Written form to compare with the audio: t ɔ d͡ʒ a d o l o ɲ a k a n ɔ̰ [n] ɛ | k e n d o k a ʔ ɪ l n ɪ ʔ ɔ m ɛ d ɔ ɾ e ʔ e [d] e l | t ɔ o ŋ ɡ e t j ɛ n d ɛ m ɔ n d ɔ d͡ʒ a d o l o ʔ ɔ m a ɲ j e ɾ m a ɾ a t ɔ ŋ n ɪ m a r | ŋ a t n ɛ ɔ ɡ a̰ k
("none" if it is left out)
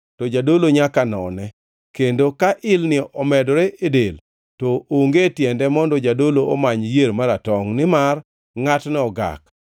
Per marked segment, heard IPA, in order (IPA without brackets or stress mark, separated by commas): n, d